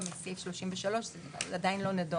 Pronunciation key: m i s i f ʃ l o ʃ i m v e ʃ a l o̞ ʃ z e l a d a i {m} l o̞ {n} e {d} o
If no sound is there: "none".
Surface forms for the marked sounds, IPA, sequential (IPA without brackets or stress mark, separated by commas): n, n, d